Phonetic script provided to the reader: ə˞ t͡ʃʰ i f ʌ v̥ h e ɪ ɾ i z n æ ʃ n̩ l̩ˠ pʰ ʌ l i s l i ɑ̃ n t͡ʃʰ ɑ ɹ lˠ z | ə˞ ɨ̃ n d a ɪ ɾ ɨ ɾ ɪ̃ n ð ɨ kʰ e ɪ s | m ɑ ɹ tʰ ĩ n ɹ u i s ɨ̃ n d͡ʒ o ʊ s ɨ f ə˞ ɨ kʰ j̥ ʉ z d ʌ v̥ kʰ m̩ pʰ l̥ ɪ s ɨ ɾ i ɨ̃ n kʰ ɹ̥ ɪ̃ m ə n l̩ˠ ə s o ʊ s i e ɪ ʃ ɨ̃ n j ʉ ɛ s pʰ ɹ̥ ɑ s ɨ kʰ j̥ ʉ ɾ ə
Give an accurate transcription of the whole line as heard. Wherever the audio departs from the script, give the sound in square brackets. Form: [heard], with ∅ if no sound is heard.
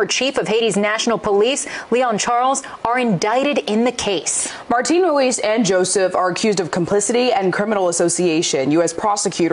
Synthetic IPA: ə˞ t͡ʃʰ i f ʌ v̥ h e ɪ ɾ i z n æ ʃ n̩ l̩ˠ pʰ [ə] l i s l i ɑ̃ n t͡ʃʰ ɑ ɹ lˠ z | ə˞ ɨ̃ n d a ɪ ɾ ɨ ɾ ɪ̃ n ð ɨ kʰ e ɪ s | m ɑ ɹ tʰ ĩ n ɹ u i s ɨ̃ n d͡ʒ o ʊ s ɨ f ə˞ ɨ kʰ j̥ ʉ z d ʌ v̥ kʰ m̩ pʰ l̥ ɪ s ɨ ɾ i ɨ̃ n kʰ ɹ̥ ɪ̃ m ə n l̩ˠ ə s o ʊ s i e ɪ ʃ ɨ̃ n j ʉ ɛ s pʰ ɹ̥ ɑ s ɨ kʰ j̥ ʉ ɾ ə